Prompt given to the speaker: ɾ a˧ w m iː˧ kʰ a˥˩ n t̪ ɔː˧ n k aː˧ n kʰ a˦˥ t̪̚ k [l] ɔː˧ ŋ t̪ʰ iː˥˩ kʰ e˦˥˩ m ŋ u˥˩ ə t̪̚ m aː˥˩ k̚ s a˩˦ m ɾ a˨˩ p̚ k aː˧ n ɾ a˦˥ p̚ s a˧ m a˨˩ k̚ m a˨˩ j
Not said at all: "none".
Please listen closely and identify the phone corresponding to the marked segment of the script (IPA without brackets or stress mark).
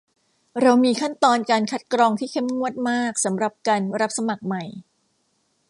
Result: ɾ